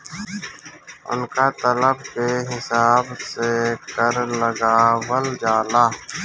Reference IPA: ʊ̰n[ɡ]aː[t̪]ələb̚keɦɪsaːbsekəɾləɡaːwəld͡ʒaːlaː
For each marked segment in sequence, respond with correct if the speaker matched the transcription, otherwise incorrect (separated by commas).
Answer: incorrect, correct